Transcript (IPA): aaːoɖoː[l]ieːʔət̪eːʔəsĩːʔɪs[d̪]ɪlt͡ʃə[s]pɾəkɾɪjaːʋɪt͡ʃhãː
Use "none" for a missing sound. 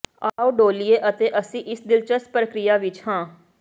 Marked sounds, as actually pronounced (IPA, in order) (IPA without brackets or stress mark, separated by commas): l, d̪, s